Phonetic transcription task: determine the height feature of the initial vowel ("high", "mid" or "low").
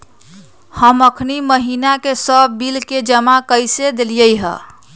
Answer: mid